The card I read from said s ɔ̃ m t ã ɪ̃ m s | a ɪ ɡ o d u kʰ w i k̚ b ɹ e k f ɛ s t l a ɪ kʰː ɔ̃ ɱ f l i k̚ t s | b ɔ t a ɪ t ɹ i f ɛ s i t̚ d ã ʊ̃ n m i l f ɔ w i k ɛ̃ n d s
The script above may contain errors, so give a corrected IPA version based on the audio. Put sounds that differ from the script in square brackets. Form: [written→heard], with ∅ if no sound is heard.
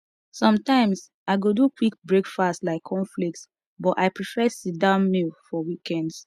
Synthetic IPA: s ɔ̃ m t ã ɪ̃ m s | a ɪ ɡ o d u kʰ w i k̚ b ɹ e k f [ɛ→a] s t l a ɪ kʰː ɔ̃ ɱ f l i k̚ t s | b ɔ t a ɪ [t→p] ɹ i f ɛ s i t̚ d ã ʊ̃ n m i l f ɔ w i k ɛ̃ n d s